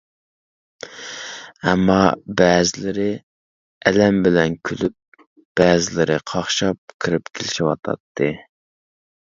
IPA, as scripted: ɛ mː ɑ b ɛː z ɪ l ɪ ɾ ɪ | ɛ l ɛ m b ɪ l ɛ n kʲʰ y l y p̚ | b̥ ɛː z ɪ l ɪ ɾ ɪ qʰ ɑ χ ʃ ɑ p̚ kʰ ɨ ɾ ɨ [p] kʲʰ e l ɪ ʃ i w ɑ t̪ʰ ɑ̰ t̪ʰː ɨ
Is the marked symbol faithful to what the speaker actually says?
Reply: yes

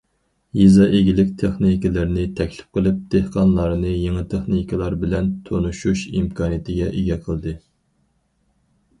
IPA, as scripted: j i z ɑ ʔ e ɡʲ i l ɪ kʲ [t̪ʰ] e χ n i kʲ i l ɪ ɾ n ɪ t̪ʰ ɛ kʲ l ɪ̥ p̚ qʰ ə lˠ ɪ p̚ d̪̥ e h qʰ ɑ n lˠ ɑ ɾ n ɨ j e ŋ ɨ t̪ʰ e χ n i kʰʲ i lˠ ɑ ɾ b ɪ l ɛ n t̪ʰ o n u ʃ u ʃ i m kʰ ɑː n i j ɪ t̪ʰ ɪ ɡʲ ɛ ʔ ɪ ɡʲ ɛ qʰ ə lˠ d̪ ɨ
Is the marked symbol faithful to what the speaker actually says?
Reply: yes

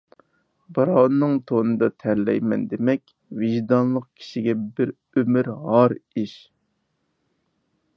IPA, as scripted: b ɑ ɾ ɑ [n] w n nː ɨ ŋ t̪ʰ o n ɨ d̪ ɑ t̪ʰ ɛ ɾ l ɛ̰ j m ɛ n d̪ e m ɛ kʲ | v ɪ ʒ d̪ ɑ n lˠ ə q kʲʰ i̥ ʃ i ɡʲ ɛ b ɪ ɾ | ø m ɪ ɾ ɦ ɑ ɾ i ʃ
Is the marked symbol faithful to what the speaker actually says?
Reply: no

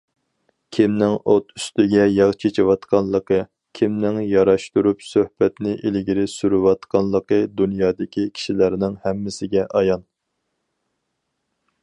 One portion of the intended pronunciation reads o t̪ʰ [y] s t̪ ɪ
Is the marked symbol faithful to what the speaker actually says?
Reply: yes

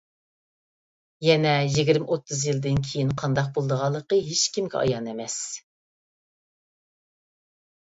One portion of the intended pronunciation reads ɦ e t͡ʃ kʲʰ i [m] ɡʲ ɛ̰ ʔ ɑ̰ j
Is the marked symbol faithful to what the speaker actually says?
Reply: yes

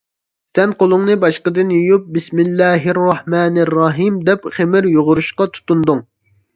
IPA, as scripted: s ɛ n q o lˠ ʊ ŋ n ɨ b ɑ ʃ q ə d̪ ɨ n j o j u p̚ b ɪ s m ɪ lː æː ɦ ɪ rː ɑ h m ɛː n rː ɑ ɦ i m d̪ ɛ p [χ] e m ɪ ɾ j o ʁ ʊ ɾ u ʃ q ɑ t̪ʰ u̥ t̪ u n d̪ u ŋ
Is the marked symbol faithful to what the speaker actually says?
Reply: yes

